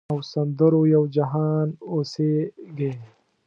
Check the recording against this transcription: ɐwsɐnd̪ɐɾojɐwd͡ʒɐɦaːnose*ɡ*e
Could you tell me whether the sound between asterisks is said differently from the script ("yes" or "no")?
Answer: no